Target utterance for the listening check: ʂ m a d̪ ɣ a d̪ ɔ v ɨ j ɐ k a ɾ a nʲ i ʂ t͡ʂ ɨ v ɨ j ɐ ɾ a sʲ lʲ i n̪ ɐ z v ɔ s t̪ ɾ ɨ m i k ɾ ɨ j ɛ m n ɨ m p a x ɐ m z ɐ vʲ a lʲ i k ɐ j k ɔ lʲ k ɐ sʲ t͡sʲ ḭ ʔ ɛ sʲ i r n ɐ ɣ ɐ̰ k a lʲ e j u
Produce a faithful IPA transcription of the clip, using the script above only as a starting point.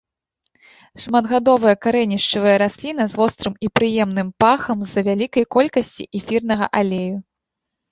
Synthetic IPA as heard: ʂ m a d̪ ɣ a d̪ ɔ v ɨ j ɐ k a ɾ ɛ nʲ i ʂ t͡ʂ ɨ v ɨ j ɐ ɾ a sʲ lʲ i n̪ ɐ z v ɔ s t̪ ɾ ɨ m i p ɾ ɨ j ɛ m n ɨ m p a x ɐ m z ɐ vʲ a lʲ i k ɐ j k ɔ lʲ k ɐ sʲ t͡sʲ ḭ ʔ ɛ fʲ i r n ɐ ɣ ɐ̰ ʔ a lʲ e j u